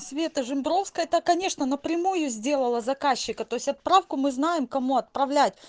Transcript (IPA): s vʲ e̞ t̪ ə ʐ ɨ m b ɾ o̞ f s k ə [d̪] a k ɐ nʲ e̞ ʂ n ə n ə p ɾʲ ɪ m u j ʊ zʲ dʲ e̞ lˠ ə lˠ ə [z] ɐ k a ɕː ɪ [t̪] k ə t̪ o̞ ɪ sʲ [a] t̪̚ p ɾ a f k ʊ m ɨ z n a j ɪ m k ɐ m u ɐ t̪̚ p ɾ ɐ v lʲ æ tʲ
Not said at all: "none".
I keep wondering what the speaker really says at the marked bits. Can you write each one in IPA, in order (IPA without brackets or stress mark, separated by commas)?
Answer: t̪, z, none, ɐ